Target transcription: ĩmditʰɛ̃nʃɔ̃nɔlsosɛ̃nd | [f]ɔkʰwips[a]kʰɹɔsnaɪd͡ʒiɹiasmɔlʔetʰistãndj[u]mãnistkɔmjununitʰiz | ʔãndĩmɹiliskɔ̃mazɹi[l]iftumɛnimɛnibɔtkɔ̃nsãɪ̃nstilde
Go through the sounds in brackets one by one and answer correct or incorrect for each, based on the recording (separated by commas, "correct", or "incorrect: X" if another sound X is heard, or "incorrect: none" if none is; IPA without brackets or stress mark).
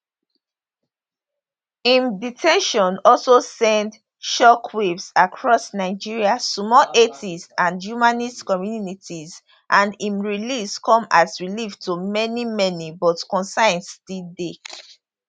incorrect: ʃ, correct, correct, correct